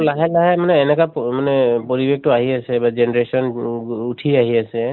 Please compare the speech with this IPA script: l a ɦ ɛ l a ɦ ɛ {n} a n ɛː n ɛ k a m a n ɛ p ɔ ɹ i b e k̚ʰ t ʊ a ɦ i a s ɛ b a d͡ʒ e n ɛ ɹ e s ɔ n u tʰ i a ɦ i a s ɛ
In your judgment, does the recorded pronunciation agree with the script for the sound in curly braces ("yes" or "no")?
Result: no